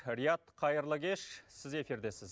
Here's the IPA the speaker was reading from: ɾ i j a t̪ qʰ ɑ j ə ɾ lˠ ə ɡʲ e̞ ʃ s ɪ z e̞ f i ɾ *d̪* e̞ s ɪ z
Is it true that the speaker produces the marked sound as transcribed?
yes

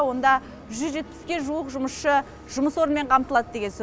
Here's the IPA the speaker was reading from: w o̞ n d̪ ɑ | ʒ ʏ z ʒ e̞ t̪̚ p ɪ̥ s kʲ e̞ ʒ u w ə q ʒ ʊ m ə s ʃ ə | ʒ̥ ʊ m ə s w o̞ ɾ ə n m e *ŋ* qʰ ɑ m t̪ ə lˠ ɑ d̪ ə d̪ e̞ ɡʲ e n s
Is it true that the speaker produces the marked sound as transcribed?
no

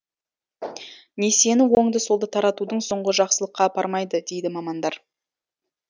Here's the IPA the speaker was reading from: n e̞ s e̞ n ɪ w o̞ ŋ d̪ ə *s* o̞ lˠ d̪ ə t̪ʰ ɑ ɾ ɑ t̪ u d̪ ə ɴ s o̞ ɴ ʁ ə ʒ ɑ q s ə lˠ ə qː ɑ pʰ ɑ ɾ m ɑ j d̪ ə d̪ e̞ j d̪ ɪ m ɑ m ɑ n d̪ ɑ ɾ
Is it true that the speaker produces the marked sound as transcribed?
yes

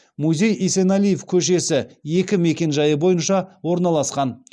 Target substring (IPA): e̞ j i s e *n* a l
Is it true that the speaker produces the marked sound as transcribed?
yes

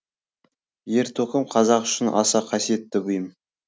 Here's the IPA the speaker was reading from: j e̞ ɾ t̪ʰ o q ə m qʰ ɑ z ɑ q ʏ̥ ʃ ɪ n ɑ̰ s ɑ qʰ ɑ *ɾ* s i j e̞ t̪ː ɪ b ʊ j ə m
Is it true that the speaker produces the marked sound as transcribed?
no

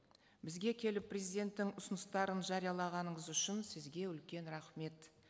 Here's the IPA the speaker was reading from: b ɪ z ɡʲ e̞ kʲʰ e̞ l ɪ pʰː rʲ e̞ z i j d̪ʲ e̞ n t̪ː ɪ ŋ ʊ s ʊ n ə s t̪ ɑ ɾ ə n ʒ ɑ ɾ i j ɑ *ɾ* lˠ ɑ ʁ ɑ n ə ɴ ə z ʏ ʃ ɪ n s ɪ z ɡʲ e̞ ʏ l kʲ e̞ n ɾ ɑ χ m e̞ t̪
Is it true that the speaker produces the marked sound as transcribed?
no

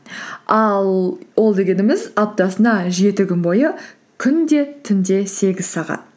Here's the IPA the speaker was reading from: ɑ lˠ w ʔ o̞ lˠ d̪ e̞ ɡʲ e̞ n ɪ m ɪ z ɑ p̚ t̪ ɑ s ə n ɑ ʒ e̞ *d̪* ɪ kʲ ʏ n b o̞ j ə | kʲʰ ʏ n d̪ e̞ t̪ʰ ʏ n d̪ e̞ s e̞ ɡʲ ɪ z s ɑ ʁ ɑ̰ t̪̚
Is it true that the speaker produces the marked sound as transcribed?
no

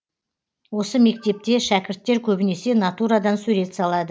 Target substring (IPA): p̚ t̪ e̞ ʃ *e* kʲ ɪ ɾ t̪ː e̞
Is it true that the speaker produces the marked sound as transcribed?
no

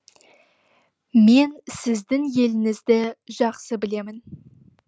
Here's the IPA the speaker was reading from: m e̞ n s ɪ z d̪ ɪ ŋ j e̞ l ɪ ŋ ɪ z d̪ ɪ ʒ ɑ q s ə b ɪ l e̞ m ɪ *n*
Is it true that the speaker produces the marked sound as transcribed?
yes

